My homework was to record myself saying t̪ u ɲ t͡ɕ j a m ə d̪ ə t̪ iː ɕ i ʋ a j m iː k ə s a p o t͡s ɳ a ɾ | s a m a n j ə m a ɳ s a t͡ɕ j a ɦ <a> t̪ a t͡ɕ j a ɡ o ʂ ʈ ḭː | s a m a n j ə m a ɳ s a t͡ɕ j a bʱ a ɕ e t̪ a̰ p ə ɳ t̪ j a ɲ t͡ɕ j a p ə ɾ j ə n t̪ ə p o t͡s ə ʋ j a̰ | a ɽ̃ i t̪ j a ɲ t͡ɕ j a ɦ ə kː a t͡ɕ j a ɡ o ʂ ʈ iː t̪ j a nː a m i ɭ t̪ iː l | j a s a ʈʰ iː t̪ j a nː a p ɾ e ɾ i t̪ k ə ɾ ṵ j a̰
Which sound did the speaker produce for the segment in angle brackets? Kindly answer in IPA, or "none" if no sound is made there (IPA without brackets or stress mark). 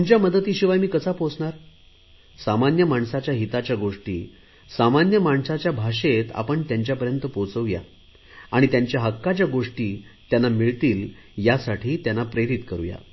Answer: i